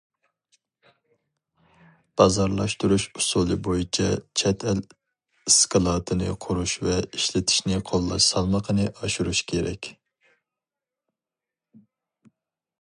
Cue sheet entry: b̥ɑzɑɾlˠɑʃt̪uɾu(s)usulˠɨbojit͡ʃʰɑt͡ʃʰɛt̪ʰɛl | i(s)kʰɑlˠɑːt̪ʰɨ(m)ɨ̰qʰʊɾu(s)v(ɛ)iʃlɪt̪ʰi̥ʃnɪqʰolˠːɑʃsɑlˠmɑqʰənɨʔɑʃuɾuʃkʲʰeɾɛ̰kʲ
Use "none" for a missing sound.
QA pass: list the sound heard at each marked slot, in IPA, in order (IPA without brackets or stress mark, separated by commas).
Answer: ʃ, s, n, ʃ, ɛ